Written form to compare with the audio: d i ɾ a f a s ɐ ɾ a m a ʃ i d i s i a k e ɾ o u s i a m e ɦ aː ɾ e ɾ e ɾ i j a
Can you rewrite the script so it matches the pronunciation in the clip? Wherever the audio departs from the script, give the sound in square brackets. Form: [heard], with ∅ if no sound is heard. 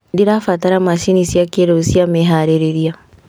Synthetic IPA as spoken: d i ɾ a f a [t] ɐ ɾ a m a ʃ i [n] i s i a k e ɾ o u s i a m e ɦ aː ɾ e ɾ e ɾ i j a